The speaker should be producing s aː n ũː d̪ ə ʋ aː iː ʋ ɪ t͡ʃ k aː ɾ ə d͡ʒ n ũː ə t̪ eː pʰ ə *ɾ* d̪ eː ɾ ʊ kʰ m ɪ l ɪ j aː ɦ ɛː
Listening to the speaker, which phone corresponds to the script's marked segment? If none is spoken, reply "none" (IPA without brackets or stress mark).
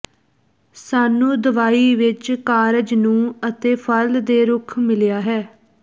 l